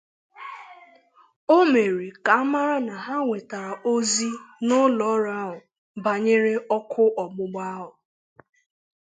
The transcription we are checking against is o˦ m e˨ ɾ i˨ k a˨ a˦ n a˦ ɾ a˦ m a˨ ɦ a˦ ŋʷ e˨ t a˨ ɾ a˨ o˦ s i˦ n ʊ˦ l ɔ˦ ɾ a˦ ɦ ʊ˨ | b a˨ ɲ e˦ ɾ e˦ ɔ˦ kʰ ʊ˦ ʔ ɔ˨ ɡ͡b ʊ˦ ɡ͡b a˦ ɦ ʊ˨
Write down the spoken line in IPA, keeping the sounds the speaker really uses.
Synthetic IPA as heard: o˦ m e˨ ɾ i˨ k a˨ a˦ m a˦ ɾ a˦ n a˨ ɦ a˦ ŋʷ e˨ t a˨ ɾ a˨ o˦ z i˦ n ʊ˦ l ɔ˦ ɾ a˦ ɦ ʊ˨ | b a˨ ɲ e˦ ɾ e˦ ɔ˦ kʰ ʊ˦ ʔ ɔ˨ ɡ͡b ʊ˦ ɡ͡b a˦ ɦ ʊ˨